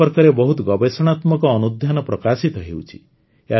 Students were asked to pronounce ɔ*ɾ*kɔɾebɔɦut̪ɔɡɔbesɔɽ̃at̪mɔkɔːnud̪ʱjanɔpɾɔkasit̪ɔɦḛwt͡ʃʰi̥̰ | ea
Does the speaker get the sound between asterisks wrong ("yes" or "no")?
no